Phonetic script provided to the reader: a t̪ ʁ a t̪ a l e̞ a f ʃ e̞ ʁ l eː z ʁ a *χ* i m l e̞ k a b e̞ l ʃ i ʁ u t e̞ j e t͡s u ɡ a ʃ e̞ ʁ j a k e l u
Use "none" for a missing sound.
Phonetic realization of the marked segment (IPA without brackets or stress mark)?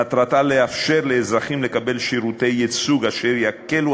χ